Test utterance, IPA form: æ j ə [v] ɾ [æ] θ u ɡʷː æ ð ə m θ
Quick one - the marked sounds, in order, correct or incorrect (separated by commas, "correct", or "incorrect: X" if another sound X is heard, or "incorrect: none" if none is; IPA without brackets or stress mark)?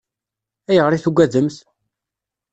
incorrect: ʁ, incorrect: i